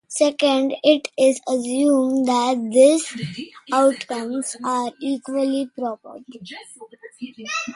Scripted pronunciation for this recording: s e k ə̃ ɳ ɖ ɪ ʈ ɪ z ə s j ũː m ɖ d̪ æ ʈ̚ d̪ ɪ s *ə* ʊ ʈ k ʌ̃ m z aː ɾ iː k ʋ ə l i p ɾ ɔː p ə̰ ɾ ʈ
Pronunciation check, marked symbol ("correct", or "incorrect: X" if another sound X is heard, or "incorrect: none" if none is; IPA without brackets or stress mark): incorrect: a